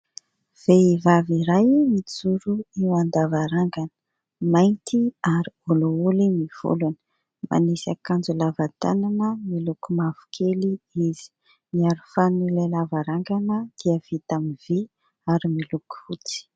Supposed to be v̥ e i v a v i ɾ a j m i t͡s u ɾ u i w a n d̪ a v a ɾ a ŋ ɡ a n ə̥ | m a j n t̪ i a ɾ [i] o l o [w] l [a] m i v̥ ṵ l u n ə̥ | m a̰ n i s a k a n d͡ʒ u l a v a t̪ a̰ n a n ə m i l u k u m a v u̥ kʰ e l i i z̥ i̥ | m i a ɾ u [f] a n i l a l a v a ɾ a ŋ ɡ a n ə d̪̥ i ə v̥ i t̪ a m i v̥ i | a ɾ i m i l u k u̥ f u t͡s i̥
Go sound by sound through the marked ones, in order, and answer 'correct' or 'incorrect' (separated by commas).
correct, incorrect, incorrect, correct